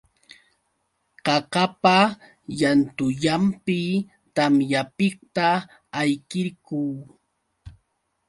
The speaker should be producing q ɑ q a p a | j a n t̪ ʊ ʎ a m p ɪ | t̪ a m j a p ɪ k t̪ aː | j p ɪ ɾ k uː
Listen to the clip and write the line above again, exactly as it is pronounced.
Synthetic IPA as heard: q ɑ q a p a | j a n t̪ ʊ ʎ a m p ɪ | t̪ a m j a p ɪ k t̪ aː | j k ɪ ɾ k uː